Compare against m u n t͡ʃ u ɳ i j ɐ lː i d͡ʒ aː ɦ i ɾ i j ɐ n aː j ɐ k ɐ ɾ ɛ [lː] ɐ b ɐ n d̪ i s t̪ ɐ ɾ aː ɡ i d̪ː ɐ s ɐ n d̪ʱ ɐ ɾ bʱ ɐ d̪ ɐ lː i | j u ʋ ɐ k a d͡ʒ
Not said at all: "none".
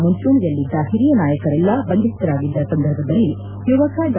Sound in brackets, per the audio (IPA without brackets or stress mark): lː